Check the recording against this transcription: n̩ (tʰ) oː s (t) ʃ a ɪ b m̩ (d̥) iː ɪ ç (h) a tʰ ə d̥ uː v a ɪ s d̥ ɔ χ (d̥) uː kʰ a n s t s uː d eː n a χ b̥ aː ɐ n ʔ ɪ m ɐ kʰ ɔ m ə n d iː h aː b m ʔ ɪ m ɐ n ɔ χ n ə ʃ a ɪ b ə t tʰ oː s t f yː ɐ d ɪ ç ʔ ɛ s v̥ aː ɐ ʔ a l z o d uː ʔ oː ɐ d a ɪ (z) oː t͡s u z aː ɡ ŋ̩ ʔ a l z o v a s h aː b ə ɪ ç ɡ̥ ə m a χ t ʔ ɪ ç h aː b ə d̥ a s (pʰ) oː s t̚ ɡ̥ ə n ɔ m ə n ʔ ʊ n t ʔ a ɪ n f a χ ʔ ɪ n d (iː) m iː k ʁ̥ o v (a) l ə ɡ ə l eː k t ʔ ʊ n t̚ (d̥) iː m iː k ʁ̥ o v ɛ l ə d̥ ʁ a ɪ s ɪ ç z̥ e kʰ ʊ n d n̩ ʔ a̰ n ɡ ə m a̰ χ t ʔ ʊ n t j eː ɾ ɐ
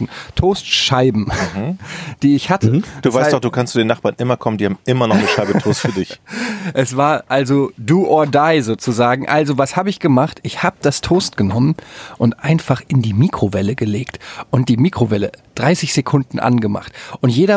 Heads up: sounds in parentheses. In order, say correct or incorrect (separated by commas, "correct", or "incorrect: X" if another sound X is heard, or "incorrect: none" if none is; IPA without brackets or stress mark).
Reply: correct, correct, correct, correct, correct, correct, incorrect: tʰ, correct, incorrect: ɛ, correct